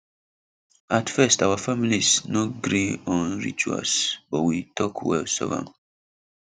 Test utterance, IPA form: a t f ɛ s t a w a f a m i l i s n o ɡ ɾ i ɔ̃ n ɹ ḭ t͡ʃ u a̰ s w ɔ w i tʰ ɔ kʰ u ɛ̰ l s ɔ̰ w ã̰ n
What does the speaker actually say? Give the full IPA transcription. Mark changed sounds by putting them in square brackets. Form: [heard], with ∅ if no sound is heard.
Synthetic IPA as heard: a t f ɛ s t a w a f a m i l i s n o ɡ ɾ i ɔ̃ n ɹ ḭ t͡ʃ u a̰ s [b] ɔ w i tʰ ɔ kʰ [w] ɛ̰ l s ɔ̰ [v] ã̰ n